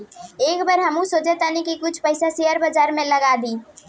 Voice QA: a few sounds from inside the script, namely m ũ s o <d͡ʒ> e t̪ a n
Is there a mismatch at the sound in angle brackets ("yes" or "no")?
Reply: no